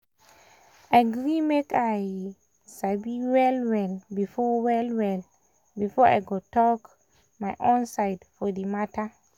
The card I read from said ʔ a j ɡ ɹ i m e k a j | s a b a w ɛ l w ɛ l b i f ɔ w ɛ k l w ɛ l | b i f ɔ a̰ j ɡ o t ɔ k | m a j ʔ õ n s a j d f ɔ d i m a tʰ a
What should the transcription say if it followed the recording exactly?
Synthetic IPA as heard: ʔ a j ɡ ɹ i m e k a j | s a b i w ɛ l w ɛ l b i f ɔ w ɛ l w ɛ l | b i f ɔ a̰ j ɡ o t ɔ k | m a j ʔ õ n s a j d f ɔ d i m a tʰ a